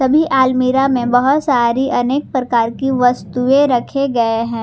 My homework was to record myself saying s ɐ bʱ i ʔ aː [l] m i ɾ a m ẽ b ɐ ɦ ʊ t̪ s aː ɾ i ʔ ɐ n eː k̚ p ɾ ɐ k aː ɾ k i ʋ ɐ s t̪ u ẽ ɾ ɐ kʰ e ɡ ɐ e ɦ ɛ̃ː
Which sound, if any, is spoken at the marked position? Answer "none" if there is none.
l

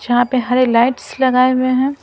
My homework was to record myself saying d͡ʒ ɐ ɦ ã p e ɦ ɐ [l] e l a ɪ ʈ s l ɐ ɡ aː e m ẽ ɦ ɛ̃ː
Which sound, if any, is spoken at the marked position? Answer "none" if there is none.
ɾ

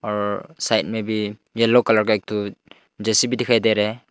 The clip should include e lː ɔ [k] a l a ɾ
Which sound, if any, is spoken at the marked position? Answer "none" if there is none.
k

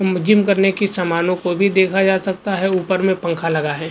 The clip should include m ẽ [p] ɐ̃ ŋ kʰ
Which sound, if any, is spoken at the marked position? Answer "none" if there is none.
p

